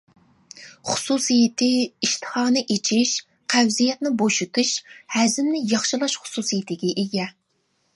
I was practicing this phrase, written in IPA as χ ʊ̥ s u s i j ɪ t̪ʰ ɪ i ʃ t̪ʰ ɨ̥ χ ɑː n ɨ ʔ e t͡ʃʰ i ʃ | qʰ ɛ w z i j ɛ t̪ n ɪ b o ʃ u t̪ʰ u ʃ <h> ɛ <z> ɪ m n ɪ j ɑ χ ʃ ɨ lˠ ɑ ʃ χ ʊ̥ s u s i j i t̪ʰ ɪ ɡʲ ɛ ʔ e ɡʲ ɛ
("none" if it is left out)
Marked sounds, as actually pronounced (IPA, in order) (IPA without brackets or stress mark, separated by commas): h, z